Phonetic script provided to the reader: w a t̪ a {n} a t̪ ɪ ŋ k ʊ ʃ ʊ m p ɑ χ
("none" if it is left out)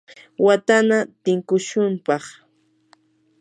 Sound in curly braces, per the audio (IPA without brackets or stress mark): n